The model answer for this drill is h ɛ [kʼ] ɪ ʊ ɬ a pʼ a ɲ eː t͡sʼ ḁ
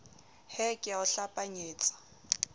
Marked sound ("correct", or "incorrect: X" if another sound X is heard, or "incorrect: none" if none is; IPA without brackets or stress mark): correct